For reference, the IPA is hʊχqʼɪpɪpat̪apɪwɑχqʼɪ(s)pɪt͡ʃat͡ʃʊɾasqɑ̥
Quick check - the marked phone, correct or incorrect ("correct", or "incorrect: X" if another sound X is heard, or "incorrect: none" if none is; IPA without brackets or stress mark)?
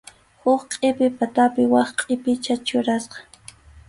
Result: incorrect: none